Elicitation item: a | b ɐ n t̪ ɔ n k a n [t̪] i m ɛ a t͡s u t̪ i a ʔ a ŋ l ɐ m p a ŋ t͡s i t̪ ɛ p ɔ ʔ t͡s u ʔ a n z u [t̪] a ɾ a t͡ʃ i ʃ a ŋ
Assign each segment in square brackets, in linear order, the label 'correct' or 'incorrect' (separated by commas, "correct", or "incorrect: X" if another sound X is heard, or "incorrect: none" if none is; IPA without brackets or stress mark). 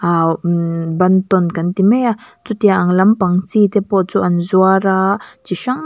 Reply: correct, incorrect: none